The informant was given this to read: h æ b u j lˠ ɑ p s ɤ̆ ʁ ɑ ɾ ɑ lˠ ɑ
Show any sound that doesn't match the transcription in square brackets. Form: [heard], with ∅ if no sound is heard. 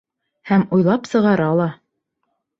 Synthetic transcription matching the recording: h æ [m] u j lˠ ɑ p s ɤ̆ ʁ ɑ ɾ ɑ lˠ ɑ